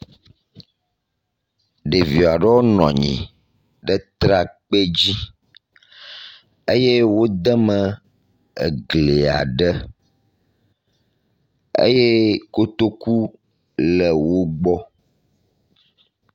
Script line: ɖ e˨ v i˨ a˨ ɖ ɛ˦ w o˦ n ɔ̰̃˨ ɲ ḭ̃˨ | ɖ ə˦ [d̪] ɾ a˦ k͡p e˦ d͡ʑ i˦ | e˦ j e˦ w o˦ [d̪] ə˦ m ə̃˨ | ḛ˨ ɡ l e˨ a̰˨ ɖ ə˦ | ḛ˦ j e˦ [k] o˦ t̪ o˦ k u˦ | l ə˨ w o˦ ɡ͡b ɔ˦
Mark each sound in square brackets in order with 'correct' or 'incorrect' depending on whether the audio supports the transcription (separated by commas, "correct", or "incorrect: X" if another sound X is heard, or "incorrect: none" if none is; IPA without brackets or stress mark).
incorrect: t̪, correct, correct